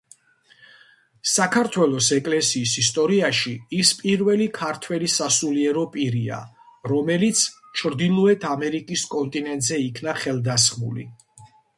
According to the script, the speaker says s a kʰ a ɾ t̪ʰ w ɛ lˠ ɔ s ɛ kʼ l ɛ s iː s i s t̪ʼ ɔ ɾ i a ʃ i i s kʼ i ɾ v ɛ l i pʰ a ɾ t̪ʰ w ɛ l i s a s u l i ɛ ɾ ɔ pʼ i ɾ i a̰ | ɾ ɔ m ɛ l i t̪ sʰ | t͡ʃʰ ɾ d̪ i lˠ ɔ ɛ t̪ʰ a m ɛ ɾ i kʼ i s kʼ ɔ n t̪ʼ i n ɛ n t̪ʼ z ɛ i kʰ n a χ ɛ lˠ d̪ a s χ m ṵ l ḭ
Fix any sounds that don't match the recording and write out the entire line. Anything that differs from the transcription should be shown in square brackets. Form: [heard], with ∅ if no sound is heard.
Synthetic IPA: s a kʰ a ɾ t̪ʰ w ɛ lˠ ɔ s ɛ kʼ l ɛ s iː s i s t̪ʼ ɔ ɾ i a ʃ i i s [pʼ] i ɾ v ɛ l i [kʰ] a ɾ t̪ʰ w ɛ l i s a s u l i ɛ ɾ ɔ pʼ i ɾ i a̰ | ɾ ɔ m ɛ l i t̪ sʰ | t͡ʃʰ ɾ d̪ i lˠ ɔ ɛ t̪ʰ a m ɛ ɾ i kʼ i s kʼ ɔ n t̪ʼ i n ɛ n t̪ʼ z ɛ i kʰ n a χ ɛ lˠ d̪ a s χ m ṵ l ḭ